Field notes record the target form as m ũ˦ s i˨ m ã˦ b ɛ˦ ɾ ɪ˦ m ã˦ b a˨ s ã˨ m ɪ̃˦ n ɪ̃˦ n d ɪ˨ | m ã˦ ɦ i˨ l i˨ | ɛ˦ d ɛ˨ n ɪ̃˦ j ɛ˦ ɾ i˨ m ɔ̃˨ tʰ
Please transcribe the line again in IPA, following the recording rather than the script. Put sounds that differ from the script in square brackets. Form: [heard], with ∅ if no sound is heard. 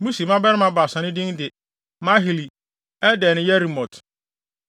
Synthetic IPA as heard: m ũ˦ s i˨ m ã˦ b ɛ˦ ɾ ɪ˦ m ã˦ b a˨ s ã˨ [n] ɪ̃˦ [d] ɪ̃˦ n d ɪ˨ | m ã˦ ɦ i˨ l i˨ | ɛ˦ d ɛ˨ n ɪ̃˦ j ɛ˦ ɾ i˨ m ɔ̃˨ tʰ